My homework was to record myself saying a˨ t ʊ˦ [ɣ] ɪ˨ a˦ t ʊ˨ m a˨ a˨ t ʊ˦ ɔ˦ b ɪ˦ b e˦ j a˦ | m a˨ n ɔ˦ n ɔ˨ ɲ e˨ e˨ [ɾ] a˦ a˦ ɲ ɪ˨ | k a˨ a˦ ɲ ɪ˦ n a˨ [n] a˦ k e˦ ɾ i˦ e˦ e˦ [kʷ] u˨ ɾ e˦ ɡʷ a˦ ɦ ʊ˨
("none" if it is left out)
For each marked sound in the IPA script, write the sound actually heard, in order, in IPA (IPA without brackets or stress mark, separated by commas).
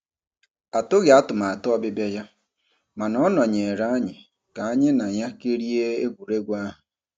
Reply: ɣ, ɾ, ɲ, ɡʷ